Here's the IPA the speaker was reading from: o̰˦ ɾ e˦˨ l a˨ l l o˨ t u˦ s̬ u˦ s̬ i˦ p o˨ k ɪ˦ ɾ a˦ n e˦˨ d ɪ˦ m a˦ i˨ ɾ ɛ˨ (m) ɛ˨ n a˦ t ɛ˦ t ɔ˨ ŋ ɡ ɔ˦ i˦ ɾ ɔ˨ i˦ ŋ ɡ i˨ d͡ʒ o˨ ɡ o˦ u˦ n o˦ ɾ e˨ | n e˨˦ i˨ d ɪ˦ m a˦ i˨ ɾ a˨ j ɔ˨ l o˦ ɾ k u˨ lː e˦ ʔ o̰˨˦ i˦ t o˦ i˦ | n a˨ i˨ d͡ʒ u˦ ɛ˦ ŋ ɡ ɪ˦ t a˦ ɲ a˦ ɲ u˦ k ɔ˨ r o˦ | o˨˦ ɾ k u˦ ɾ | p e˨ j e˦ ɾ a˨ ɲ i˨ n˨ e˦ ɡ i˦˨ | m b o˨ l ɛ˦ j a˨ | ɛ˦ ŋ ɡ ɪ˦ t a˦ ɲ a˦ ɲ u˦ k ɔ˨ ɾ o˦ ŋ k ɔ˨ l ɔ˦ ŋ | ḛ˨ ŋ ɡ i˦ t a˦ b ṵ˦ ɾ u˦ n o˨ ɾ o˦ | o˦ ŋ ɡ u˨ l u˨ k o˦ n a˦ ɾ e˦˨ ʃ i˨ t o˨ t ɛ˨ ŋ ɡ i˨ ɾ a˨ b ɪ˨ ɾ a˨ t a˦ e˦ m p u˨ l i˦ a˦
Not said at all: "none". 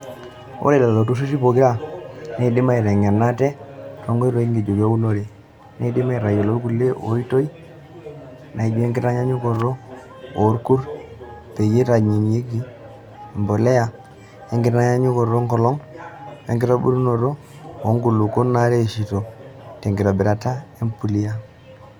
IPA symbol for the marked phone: ŋ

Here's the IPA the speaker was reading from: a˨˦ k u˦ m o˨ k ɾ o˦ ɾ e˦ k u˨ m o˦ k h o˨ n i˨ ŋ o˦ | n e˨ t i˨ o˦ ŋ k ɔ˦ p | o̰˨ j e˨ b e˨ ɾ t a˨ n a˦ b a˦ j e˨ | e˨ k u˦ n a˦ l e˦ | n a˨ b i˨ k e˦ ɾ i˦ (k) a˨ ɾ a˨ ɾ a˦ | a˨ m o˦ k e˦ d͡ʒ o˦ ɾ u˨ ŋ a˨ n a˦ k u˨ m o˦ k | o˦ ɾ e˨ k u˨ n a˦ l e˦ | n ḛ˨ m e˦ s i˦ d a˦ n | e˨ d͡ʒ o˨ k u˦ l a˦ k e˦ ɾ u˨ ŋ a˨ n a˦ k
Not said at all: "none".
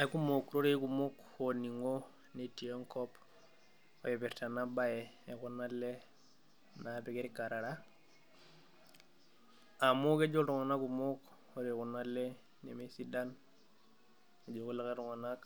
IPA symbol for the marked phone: k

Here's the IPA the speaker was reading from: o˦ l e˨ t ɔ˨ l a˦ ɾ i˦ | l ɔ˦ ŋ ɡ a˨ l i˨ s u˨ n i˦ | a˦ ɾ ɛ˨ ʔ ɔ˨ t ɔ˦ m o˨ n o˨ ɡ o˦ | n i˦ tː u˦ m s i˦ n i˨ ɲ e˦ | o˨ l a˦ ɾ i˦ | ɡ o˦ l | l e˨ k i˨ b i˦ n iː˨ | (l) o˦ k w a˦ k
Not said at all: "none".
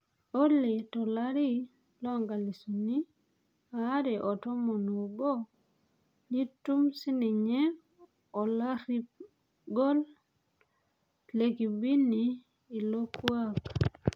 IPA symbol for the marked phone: l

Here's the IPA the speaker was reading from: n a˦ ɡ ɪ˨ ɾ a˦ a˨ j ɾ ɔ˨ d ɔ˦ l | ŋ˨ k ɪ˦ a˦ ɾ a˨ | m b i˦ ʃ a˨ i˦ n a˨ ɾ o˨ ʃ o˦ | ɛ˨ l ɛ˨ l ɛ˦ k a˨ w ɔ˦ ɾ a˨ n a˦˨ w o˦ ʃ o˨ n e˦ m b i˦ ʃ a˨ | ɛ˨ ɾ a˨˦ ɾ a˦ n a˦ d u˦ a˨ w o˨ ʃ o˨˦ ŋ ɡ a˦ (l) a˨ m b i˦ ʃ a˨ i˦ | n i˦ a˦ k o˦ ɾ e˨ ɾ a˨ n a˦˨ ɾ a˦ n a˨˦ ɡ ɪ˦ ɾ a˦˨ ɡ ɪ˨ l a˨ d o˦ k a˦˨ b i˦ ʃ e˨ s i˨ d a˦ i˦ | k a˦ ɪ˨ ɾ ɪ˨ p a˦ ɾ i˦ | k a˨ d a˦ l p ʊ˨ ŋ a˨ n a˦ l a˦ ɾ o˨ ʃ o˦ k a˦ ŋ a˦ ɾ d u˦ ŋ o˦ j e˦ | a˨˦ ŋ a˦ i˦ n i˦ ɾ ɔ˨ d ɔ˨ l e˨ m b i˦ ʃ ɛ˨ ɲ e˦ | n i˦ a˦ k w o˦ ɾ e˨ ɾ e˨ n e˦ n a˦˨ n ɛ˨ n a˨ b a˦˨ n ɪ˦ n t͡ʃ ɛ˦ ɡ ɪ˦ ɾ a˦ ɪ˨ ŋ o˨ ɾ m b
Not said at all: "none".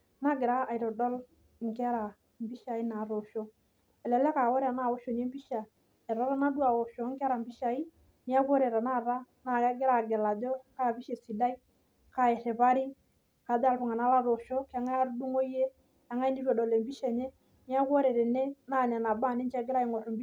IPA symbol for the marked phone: ɾ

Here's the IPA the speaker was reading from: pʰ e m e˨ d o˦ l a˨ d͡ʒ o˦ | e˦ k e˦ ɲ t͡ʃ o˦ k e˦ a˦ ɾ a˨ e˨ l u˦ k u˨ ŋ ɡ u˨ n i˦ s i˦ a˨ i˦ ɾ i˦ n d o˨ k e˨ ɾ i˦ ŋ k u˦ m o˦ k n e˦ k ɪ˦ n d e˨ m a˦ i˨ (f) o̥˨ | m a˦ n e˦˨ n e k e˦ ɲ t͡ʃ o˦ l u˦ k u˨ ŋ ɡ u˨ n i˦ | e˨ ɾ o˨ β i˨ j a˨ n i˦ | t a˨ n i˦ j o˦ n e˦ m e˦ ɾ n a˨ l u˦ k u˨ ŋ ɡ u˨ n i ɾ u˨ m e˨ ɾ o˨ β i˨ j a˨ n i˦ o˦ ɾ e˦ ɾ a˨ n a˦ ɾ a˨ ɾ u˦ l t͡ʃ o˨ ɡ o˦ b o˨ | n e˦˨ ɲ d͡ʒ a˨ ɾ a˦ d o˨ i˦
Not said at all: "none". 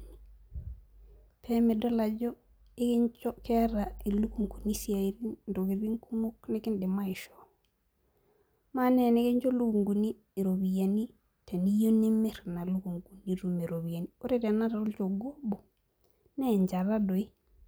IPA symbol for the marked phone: ʃ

